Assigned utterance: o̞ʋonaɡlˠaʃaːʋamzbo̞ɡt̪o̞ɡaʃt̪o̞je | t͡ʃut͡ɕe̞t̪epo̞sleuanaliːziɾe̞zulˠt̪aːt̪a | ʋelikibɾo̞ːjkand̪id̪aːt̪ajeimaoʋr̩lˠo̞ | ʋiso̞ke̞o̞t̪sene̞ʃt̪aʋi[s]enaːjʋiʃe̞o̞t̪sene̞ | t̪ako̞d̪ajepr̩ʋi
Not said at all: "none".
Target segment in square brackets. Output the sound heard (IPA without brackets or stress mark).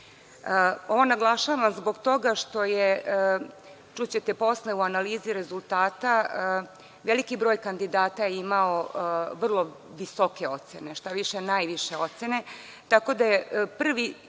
ʃ